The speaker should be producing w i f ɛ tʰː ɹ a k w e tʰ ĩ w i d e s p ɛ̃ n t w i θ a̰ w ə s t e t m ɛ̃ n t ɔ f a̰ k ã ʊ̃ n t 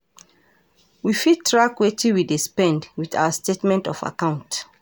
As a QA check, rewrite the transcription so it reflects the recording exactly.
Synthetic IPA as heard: w i f i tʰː ɹ a k w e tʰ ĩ w i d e s p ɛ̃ n d w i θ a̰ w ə s t e t m ɛ̃ n t ɔ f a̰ k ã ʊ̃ n t